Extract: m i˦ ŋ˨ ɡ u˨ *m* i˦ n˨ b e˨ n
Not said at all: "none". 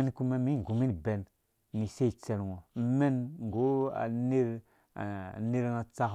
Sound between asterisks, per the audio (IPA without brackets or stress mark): m